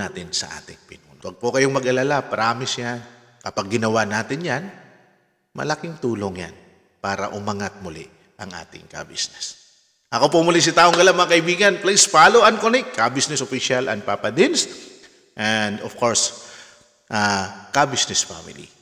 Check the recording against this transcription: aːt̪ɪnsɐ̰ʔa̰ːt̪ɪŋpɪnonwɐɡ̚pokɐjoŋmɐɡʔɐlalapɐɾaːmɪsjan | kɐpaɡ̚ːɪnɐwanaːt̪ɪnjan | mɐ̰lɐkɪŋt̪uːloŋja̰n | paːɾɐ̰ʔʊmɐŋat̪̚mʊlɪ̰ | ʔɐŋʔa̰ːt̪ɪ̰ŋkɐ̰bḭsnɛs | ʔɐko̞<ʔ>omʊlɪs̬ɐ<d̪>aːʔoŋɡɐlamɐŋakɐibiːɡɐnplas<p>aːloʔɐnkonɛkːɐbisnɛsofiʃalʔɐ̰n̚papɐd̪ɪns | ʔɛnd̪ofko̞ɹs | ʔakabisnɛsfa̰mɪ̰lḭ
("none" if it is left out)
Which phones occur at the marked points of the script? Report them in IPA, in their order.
p, t̪, p

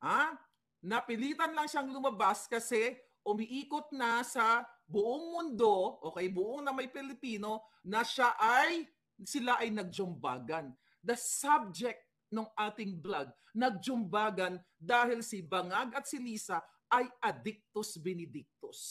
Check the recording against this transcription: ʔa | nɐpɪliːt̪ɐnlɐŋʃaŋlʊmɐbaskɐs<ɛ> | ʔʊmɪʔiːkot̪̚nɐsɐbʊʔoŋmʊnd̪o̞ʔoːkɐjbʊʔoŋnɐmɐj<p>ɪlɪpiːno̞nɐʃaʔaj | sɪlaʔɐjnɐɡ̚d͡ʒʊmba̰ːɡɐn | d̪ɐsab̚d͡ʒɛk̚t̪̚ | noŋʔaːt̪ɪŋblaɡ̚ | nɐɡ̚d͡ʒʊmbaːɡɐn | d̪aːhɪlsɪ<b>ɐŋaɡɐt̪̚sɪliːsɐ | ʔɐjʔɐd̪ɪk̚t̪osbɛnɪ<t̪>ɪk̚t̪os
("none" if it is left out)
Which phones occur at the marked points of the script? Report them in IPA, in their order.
ɛ, p, b, d̪

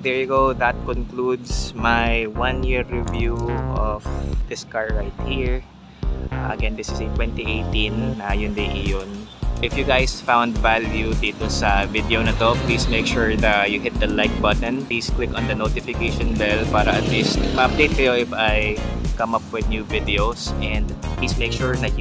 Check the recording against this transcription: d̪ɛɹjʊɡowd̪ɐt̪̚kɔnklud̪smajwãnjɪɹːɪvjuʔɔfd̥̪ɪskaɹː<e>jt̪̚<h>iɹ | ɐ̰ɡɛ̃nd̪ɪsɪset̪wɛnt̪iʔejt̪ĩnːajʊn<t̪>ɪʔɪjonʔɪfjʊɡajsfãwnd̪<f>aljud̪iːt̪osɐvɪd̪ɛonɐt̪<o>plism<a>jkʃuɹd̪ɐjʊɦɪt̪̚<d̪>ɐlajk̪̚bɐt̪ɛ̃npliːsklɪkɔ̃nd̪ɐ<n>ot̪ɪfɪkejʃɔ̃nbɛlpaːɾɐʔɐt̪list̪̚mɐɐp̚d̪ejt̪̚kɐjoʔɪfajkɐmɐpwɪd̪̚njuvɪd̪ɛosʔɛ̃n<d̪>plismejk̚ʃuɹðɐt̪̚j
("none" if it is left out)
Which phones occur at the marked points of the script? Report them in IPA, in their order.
a, h, d̪, v, o, e, d̪, n, d̪

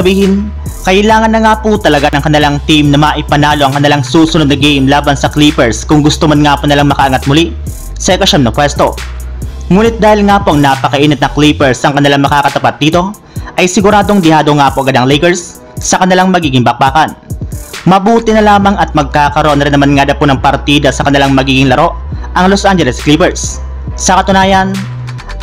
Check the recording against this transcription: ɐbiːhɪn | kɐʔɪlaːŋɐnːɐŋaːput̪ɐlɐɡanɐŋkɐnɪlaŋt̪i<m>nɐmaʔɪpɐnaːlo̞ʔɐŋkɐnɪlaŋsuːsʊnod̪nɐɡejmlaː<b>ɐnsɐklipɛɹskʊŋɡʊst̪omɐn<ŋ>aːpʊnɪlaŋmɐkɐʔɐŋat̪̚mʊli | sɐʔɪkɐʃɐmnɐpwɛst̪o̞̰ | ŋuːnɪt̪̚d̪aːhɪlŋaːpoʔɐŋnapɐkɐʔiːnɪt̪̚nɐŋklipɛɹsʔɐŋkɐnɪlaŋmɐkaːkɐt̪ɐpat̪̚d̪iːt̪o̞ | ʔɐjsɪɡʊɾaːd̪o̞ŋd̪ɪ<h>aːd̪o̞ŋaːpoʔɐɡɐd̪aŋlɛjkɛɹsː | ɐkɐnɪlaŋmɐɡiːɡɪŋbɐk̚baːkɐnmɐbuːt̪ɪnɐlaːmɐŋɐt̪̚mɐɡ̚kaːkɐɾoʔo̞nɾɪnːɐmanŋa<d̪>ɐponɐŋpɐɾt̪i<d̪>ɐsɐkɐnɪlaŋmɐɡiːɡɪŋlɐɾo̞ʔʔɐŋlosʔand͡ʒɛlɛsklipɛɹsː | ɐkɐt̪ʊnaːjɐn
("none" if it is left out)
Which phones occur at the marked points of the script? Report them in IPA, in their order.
m, b, ŋ, h, d̪, d̪

